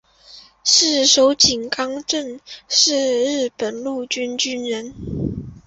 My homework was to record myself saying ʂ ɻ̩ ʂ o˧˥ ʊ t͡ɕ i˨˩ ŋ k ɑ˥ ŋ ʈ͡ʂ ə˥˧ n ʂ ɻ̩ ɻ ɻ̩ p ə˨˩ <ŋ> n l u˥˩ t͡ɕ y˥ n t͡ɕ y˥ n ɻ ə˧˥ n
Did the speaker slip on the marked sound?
yes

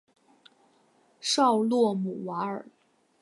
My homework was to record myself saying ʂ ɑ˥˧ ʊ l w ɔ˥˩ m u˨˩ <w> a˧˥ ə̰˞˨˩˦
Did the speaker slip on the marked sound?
no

